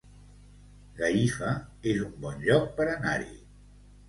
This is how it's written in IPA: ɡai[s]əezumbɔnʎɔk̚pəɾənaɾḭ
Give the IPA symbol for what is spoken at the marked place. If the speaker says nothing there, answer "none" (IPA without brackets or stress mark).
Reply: f